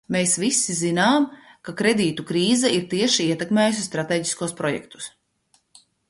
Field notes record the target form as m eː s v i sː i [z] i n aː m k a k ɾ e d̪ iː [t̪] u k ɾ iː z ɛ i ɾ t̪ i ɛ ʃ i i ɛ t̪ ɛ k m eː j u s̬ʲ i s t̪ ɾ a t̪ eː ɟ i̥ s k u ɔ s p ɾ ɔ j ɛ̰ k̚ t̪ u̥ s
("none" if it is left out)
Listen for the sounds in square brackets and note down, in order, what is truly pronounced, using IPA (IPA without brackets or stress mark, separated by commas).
z, t̪